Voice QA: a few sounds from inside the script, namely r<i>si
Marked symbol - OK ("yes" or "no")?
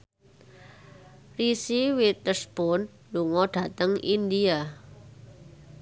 yes